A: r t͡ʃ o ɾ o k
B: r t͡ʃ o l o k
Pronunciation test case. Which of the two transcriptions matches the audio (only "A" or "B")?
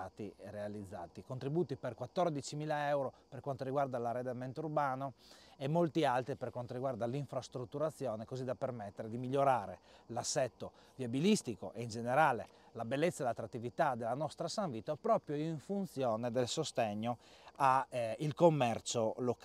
B